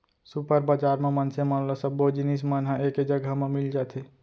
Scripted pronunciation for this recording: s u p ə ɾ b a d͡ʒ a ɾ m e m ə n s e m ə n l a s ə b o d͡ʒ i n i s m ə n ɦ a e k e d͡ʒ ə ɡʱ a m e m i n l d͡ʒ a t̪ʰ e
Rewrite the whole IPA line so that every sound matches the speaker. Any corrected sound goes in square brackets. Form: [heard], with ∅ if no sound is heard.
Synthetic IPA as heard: s u p ə ɾ b a d͡ʒ a ɾ m e m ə n s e m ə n l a s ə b o d͡ʒ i n i s m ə n ɦ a e k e d͡ʒ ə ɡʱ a m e m i [∅] l d͡ʒ a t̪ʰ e